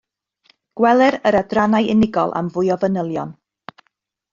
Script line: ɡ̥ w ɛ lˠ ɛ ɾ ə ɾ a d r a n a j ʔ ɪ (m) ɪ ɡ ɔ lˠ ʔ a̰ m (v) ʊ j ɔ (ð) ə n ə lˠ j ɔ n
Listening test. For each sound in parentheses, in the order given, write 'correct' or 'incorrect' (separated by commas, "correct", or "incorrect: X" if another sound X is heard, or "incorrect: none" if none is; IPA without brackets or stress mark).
incorrect: n, correct, incorrect: v